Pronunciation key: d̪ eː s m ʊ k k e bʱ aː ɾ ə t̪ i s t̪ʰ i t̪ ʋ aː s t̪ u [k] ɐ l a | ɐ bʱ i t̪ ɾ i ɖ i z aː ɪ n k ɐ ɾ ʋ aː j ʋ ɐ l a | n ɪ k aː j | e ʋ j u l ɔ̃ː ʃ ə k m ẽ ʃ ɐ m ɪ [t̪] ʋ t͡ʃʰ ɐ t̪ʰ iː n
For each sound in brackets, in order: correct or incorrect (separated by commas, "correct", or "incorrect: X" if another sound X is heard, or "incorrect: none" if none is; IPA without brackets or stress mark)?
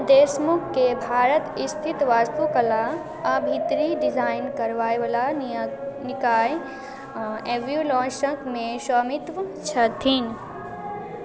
correct, correct